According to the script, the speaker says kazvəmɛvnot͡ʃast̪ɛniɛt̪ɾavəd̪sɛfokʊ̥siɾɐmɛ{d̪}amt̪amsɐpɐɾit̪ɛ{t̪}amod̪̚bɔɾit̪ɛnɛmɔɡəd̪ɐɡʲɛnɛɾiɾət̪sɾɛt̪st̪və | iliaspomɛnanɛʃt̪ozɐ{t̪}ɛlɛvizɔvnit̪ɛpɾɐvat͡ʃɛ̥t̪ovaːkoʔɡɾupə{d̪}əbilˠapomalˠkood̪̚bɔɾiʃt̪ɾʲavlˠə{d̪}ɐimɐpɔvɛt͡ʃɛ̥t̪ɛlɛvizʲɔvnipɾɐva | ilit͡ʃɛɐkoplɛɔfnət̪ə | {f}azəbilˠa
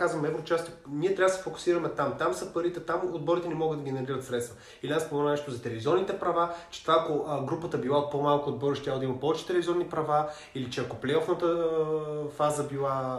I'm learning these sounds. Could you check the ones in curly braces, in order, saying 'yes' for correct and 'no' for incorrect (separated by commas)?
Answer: no, yes, yes, no, yes, yes